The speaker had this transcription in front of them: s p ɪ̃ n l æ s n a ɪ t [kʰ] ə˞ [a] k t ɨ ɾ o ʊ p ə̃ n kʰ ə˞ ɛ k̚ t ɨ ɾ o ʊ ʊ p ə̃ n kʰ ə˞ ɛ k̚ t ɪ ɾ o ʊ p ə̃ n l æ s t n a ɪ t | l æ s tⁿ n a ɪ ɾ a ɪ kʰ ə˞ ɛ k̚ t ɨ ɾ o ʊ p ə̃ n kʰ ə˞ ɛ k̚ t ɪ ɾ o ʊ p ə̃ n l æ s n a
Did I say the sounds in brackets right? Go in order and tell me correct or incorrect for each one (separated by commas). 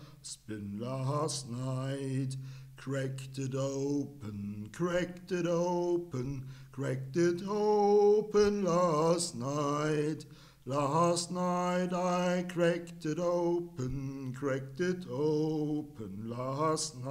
correct, incorrect